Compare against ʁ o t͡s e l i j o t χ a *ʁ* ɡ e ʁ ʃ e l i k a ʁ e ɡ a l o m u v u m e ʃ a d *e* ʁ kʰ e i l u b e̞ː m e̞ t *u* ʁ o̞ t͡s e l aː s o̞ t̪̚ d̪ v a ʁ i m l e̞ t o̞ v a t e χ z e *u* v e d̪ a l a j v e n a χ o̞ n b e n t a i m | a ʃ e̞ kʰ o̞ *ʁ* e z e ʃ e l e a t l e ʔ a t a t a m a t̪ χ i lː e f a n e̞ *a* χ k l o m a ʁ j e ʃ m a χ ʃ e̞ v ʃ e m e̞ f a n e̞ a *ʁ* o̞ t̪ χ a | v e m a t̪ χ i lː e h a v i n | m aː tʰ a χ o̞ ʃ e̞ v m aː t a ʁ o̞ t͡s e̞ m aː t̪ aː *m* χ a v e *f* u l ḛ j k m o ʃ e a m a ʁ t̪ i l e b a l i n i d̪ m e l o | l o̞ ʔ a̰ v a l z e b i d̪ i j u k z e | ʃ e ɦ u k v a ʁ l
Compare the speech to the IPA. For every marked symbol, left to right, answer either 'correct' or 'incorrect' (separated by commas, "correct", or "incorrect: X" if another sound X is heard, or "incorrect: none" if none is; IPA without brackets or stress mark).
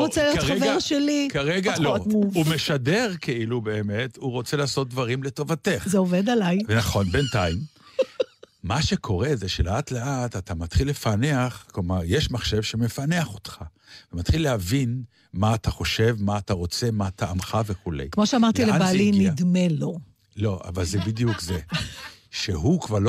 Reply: incorrect: v, correct, correct, incorrect: o, correct, correct, incorrect: χ, correct, incorrect: χ